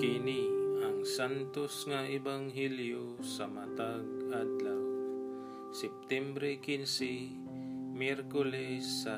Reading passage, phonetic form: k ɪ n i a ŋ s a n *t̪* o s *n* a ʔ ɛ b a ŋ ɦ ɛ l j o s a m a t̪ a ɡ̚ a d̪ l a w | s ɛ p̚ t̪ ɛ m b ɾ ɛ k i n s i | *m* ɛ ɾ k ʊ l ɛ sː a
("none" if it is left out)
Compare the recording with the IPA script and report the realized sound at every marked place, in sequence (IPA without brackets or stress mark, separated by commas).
t̪, ŋ, m